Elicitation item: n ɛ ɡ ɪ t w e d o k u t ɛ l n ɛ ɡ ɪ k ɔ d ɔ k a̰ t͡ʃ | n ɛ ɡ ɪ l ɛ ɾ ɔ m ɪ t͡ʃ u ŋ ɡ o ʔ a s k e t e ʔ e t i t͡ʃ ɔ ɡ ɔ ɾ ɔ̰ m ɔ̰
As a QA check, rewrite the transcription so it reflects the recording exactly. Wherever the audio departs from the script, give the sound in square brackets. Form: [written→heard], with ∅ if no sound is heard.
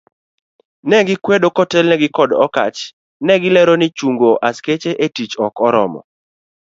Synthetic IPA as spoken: n ɛ ɡ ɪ [t→k] w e d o k [u→ɔ] t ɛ l n ɛ ɡ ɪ k ɔ d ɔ k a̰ t͡ʃ | n ɛ ɡ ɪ l ɛ ɾ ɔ [m→n] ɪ t͡ʃ u ŋ ɡ o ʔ a s k e [t→t͡ʃ] e ʔ e t i t͡ʃ ɔ [ɡ→k] ɔ ɾ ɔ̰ m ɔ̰